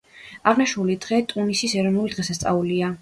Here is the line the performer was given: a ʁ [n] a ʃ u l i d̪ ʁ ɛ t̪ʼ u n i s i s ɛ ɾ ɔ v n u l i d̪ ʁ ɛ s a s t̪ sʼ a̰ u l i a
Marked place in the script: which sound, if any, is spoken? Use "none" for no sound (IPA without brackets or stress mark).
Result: n